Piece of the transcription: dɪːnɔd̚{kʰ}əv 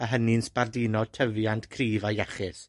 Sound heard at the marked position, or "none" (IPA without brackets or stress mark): tʰ